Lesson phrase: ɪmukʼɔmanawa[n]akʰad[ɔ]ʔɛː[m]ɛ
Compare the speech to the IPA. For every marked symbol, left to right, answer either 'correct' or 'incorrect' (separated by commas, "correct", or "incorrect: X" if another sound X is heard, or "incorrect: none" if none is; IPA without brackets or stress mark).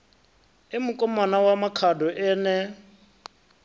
incorrect: m, correct, incorrect: n